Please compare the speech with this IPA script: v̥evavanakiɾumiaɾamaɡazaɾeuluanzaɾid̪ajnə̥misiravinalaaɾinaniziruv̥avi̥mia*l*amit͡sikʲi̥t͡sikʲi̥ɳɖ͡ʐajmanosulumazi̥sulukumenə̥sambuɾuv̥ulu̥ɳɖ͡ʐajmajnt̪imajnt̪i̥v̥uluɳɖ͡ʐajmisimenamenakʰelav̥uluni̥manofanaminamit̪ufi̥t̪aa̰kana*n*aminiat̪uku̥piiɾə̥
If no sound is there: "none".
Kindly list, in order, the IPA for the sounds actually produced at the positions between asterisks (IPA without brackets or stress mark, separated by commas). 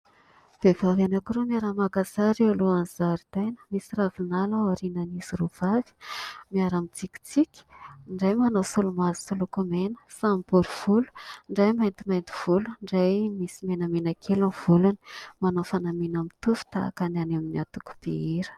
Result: ɾ, n